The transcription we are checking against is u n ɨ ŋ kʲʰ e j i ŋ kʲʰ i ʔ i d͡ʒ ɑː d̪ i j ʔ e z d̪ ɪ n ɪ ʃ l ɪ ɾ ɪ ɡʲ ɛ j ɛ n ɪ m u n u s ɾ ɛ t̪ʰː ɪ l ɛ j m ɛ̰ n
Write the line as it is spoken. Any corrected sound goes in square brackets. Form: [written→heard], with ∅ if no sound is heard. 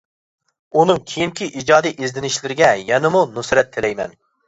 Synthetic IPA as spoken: u n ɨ ŋ kʲʰ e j i ŋ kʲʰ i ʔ i d͡ʒ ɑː d̪ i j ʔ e z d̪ ɪ n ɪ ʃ l ɪ ɾ ɪ ɡʲ ɛ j ɛ n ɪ m u n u s ɾ ɛ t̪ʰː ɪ l ɛ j m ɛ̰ n